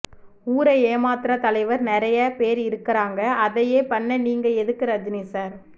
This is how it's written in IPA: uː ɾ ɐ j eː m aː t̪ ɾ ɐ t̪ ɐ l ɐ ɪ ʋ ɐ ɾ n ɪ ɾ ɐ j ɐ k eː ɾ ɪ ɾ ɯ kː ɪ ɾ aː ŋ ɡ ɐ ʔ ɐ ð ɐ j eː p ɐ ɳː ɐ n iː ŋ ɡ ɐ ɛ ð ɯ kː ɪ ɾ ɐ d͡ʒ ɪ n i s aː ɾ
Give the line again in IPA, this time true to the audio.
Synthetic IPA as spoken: uː ɾ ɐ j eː m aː t̪ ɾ ɐ t̪ ɐ l ɐ ɪ ʋ ɐ ɾ n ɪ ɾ ɐ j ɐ p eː ɾ ɪ ɾ ɯ kː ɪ ɾ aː ŋ ɡ ɐ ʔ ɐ ð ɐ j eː p ɐ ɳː ɐ n iː ŋ ɡ ɐ ɛ ð ɯ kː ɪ ɾ ɐ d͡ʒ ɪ n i s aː ɾ